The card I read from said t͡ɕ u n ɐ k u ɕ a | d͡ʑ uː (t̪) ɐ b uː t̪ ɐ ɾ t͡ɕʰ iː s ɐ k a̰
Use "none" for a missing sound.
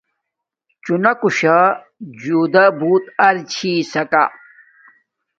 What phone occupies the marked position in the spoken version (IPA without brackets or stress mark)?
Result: d̪